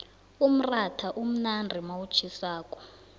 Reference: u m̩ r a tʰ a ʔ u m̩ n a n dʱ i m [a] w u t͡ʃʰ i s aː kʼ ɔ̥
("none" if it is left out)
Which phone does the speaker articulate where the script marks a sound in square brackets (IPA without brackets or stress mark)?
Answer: a